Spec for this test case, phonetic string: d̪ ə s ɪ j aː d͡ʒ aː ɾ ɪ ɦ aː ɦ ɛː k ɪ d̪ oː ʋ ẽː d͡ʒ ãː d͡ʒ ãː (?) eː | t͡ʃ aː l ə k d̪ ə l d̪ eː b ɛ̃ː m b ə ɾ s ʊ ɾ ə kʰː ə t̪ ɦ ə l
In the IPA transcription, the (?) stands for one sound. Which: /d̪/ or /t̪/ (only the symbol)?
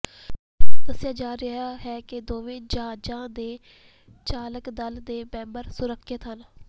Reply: d̪